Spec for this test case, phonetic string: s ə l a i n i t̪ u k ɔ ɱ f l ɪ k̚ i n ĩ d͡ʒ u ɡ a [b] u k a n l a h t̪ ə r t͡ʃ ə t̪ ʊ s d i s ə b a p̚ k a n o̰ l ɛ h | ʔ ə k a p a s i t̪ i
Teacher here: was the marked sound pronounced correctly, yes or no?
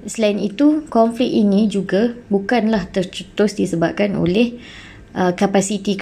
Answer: yes